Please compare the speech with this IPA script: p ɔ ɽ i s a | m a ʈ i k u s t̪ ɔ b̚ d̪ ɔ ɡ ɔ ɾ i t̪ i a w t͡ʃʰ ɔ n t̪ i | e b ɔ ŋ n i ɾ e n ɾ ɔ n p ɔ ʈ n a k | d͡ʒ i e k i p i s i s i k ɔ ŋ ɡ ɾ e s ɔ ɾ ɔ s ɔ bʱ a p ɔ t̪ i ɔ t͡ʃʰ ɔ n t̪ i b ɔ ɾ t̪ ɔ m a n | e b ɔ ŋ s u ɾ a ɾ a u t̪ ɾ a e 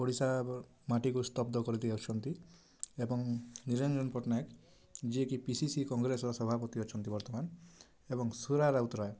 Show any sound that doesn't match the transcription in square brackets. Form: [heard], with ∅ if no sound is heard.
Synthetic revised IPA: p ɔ ɽ i s a | m a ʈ i k u s t̪ ɔ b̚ d̪ ɔ [k] ɔ ɾ i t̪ i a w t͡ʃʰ ɔ n t̪ i | e b ɔ ŋ n i ɾ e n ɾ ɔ n p ɔ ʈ n a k | d͡ʒ i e k i p i s i s i k ɔ ŋ ɡ ɾ e s ɔ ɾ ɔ s ɔ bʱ a p ɔ t̪ i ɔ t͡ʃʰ ɔ n t̪ i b ɔ ɾ t̪ ɔ m a n | e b ɔ ŋ s u ɾ a ɾ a u t̪ ɾ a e